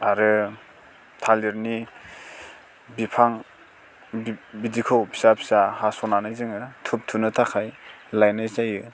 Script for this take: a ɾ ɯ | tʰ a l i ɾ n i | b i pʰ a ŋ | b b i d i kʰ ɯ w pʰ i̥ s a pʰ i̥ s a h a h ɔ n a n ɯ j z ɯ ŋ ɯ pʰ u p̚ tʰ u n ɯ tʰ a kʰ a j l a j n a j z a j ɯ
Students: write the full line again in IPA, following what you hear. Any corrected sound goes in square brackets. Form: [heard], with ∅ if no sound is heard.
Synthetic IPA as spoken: a ɾ ɯ | tʰ a l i ɾ n i | b i pʰ a ŋ | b b i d i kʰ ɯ w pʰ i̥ s a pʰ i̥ s a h a [s] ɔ n a n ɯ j z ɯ ŋ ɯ [tʰ] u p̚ tʰ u n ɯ tʰ a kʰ a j l a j n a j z a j ɯ